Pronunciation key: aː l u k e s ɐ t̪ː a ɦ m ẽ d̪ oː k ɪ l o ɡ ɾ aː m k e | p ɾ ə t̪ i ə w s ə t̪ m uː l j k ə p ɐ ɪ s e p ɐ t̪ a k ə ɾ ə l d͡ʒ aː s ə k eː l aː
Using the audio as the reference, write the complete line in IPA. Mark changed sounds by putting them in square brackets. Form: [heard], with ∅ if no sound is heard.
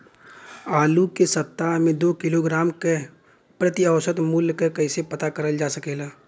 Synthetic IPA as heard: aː l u k e s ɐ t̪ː a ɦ m ẽ d̪ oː k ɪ l o ɡ ɾ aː m k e | p ɾ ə t̪ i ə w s ə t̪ m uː l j k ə [k] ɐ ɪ s e p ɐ t̪ a k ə ɾ ə l d͡ʒ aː s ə k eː l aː